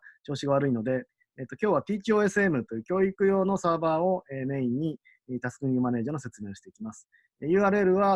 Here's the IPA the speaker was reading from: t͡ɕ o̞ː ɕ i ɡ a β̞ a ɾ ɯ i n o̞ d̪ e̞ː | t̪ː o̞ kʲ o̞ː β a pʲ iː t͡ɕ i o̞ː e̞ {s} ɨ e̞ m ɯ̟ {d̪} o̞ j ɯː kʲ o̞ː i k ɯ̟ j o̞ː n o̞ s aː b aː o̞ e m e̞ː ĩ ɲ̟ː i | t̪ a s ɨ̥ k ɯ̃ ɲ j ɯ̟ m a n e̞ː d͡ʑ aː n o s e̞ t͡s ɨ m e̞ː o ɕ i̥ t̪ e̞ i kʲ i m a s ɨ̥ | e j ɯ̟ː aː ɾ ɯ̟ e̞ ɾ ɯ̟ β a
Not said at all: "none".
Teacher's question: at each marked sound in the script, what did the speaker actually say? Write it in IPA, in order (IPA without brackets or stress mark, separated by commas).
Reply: s, t̪